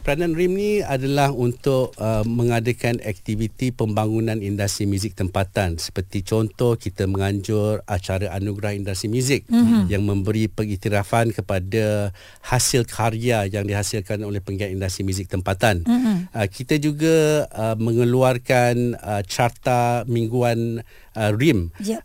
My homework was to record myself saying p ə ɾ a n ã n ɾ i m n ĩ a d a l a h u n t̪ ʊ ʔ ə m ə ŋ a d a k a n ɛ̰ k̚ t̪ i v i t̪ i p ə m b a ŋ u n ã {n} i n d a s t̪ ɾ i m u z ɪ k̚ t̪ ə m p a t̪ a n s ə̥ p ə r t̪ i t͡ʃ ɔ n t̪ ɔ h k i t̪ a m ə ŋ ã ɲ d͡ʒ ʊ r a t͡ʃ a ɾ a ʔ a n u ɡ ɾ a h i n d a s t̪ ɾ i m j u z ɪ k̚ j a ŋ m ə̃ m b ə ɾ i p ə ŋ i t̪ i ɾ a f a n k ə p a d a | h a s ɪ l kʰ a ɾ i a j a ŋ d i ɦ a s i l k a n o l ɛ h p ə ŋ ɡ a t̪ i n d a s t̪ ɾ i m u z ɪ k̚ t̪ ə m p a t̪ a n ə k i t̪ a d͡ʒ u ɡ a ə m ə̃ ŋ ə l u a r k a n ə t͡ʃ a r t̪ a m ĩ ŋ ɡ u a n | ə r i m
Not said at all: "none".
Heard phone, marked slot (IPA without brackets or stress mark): n